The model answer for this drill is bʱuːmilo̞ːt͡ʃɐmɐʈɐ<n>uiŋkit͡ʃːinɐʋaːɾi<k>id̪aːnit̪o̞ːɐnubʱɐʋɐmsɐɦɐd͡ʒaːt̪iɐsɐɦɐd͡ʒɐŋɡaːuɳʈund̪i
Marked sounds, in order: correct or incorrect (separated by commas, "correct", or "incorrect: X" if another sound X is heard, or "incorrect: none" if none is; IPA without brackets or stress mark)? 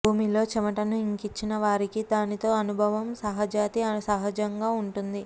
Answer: correct, correct